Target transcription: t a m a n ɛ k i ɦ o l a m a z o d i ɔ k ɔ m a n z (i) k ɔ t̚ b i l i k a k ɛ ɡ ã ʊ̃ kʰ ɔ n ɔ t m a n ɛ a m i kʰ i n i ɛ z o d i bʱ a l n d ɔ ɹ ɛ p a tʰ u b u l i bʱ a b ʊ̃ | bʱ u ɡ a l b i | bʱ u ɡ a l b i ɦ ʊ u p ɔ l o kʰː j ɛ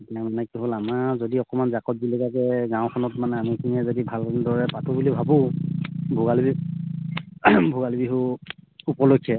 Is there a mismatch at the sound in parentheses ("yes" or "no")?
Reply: yes